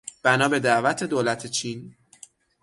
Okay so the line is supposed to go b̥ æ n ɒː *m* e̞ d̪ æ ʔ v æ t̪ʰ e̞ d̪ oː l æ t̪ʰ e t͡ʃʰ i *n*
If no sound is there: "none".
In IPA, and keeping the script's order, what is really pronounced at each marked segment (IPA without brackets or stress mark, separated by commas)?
b, n